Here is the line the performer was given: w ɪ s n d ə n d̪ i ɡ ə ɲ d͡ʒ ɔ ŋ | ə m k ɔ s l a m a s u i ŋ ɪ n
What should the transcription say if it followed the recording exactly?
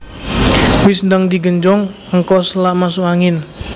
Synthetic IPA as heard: w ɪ s n d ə ŋ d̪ i ɡ ə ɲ d͡ʒ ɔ ŋ | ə ŋ k ɔ s l a m a s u a ŋ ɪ n